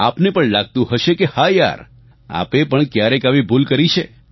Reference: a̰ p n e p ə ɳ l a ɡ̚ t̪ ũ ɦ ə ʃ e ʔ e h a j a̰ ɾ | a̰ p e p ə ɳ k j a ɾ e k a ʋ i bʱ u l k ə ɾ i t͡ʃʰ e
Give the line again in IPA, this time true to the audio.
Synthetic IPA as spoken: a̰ p n e p ə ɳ l a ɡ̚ t̪ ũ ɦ ə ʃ e k e h a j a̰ ɾ | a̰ p e p ə ɳ k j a ɾ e k a ʋ i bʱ u l k ə ɾ i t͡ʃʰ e